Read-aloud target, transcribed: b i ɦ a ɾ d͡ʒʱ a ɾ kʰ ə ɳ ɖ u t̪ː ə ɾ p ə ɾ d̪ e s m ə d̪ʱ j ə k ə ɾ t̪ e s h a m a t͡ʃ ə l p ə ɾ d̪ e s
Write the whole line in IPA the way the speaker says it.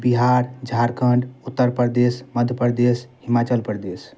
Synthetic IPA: b i ɦ a ɾ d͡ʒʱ a ɾ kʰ ə ɳ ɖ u t̪ː ə ɾ p ə ɾ d̪ e s m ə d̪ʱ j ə p ə ɾ d̪ e s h i m a t͡ʃ ə l p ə ɾ d̪ e s